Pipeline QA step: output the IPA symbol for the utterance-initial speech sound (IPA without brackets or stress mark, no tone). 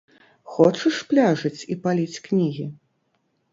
x